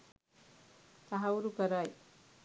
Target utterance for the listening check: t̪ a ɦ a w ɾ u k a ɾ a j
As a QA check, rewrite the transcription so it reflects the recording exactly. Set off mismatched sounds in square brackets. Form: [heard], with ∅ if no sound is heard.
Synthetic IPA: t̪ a ɦ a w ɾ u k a ɾ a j